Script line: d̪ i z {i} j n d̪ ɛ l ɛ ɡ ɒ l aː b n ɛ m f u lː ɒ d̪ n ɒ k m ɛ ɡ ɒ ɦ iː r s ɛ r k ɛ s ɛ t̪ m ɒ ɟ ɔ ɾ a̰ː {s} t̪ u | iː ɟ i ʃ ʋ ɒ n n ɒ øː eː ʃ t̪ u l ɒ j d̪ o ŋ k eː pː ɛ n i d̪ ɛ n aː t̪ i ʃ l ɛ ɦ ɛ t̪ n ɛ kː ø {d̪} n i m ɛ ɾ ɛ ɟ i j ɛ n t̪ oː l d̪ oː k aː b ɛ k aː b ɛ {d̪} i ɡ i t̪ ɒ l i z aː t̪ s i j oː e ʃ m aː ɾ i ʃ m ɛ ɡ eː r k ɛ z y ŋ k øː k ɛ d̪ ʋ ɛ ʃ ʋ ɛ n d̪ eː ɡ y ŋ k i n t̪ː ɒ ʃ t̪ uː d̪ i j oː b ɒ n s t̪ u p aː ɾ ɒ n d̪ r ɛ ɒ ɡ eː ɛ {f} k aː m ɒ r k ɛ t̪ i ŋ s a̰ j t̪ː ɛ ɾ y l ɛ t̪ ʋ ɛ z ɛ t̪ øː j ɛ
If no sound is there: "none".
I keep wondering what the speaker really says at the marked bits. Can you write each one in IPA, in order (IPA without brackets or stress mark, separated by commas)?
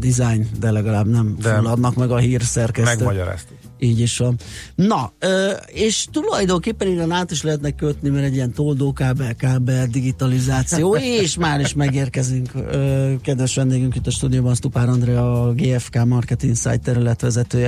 a, s, t̪, d̪, f